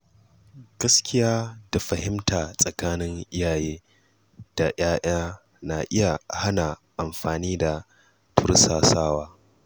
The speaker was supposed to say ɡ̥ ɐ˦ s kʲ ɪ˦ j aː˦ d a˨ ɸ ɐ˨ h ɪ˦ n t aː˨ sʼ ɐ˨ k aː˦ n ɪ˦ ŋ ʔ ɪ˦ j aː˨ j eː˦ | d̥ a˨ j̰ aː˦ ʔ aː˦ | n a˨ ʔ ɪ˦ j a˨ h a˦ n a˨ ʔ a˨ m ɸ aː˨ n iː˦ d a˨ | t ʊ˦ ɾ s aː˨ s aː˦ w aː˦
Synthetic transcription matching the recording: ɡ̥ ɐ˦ s kʲ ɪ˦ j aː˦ d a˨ ɸ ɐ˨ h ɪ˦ m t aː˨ sʼ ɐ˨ k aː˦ n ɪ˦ ŋ ʔ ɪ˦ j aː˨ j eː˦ | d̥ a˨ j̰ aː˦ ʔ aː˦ | n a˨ ʔ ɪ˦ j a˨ h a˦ n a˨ ʔ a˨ m ɸ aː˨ n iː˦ d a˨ | t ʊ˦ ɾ s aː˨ s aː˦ w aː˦